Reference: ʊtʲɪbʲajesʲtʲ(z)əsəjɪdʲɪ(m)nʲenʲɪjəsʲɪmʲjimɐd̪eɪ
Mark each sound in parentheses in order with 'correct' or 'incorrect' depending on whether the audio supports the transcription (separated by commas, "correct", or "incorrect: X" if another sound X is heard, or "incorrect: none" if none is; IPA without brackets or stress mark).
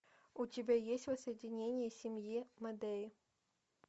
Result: incorrect: v, incorrect: none